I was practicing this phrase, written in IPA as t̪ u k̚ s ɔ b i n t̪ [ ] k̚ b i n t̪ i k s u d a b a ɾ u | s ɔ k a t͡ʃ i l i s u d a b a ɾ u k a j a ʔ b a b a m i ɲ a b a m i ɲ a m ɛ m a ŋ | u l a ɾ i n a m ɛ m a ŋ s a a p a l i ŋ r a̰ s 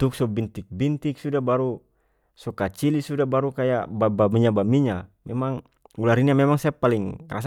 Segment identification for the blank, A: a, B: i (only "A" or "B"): B